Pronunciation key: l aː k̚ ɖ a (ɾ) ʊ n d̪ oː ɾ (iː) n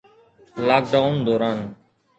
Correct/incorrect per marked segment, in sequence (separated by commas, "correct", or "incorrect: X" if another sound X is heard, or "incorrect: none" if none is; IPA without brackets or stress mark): incorrect: none, incorrect: aː